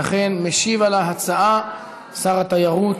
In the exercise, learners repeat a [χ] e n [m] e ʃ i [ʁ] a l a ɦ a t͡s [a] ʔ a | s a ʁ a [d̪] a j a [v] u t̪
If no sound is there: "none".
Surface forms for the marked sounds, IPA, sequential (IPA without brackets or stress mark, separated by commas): χ, m, v, a, t̪, ʁ